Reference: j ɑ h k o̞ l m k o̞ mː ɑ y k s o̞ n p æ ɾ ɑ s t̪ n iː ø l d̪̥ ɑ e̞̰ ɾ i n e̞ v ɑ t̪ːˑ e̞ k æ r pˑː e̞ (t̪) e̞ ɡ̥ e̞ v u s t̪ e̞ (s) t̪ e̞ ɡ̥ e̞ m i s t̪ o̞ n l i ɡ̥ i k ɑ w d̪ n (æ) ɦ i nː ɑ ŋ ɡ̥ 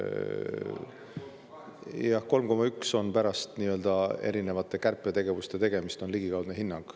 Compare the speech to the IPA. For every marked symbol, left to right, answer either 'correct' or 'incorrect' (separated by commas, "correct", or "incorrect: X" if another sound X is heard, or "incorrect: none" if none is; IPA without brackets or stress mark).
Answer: correct, incorrect: none, incorrect: e